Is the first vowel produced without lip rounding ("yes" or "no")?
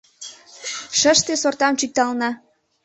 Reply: yes